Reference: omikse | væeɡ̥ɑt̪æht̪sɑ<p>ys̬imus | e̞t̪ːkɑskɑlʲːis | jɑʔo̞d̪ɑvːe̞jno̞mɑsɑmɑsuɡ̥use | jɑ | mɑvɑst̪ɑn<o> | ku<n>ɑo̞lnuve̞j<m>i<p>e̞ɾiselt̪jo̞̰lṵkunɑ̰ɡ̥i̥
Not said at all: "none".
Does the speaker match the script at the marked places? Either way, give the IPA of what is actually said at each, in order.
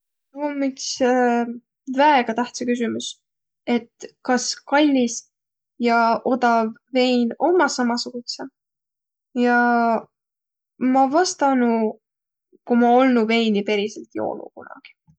k, u, m, n, p

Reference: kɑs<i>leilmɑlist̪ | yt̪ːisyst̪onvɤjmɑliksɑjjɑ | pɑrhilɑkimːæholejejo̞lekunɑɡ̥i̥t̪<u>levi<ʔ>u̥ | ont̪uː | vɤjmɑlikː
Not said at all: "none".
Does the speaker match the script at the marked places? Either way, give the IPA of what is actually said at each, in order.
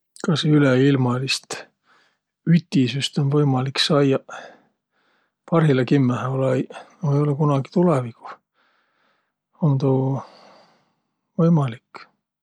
y, u, k

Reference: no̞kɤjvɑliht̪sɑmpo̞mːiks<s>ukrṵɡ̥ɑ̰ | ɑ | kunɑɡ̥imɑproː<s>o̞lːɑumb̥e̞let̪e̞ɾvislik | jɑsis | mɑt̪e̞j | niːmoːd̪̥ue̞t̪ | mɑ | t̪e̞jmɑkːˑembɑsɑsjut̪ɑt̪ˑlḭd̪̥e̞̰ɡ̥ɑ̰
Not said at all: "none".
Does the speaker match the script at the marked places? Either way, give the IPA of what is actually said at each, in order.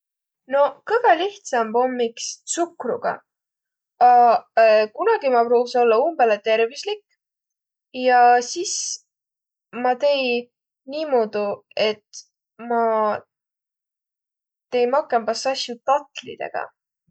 s, s

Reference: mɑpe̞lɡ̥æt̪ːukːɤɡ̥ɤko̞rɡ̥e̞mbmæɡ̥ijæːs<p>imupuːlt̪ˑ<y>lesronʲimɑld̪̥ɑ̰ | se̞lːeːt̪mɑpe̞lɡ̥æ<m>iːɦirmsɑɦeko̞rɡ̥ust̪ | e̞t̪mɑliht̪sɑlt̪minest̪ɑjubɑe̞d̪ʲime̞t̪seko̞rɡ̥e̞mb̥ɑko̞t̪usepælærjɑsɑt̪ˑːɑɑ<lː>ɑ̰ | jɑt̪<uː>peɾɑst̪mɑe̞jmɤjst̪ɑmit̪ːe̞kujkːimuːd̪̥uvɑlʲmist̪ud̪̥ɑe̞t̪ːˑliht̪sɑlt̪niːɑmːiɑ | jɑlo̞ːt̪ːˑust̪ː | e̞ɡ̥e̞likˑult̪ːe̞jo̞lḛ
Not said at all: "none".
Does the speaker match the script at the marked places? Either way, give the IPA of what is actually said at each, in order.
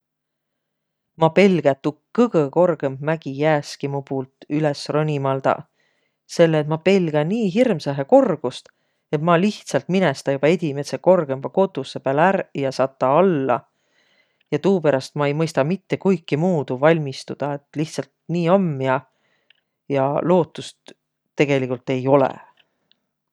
k, y, n, lː, uː

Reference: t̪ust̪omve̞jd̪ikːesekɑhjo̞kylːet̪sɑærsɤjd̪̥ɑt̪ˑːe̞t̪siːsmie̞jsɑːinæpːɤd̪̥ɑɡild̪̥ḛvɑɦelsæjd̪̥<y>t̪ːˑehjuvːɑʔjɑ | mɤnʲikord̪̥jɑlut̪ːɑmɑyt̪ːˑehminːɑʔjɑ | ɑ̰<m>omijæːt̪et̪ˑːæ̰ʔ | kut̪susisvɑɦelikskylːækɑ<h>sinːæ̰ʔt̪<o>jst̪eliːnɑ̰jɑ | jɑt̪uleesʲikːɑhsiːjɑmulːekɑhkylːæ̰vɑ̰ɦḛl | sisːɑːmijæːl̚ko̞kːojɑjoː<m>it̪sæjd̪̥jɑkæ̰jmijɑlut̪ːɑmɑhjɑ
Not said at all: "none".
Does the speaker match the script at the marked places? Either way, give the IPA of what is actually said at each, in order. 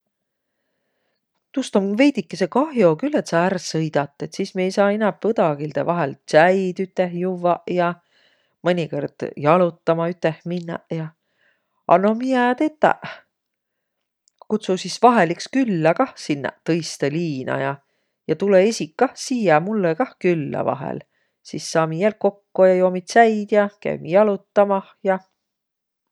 y, n, h, ɤ, m

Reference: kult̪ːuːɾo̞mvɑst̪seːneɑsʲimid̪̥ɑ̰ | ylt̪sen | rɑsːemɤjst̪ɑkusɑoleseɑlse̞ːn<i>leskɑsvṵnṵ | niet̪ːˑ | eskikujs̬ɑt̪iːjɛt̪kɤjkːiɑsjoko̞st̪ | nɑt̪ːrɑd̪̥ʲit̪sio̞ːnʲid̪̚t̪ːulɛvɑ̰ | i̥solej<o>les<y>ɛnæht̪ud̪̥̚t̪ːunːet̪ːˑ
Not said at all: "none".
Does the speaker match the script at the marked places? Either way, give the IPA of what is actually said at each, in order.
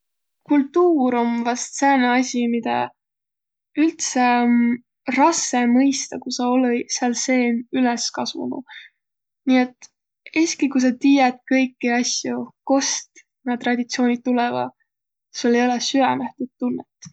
y, o, y

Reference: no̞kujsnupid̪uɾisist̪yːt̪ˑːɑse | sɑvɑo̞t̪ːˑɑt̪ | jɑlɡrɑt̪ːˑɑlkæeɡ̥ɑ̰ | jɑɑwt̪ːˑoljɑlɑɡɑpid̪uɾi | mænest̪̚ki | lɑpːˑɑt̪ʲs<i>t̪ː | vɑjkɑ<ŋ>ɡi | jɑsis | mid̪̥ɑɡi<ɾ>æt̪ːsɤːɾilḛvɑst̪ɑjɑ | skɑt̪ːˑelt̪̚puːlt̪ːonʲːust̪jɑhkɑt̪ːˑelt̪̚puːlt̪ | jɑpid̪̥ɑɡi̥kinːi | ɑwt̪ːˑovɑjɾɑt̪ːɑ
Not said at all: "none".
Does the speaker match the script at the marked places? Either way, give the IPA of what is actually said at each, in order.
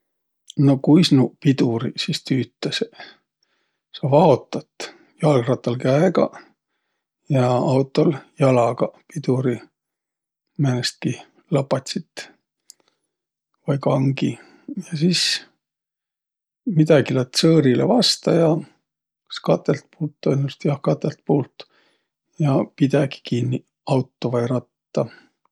i, ŋ, l

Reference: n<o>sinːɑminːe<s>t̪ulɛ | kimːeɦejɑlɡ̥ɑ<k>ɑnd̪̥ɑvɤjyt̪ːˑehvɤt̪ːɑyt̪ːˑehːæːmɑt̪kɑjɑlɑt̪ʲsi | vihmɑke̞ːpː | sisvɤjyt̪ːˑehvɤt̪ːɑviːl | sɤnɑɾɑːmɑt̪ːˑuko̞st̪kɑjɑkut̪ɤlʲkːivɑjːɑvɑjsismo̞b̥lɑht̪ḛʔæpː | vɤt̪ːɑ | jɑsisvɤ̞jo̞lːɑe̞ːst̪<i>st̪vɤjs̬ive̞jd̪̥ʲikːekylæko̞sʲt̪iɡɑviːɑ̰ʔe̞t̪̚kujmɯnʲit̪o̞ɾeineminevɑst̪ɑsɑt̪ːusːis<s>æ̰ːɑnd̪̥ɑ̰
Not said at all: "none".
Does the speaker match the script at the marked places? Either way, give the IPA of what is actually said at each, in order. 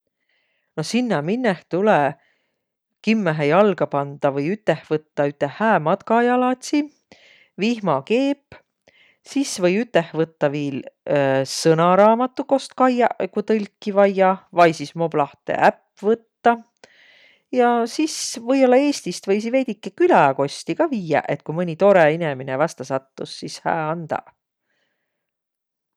o, h, p, i, h

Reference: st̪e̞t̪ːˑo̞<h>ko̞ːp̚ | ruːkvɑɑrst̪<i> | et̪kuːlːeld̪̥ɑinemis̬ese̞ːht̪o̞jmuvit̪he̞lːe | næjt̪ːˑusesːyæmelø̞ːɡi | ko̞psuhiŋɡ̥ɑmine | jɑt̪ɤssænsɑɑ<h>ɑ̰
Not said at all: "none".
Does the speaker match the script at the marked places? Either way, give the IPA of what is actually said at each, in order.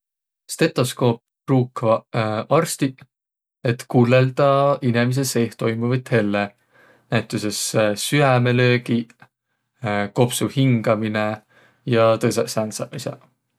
s, i, s

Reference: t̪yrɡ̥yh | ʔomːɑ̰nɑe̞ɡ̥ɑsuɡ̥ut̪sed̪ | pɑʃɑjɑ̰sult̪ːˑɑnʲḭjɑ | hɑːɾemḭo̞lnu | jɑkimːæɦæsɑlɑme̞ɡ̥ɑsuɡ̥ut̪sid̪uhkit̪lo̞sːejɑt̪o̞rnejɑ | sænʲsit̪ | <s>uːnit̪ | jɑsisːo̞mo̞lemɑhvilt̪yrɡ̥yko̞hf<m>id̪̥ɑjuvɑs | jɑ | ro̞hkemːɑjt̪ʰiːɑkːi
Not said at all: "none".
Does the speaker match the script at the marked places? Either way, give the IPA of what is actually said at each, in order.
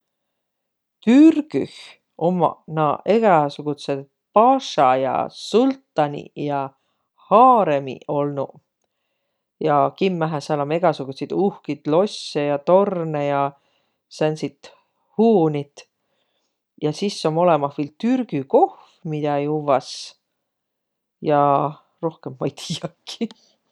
h, m

